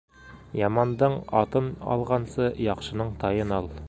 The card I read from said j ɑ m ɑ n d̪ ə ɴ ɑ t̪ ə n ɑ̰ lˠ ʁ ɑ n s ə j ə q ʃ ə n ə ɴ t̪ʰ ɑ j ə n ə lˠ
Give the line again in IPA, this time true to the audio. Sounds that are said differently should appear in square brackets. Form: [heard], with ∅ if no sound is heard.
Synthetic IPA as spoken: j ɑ m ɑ n d̪ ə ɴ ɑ t̪ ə n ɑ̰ lˠ ʁ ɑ n s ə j [ɑ] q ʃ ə n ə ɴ t̪ʰ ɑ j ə n [ɑ] lˠ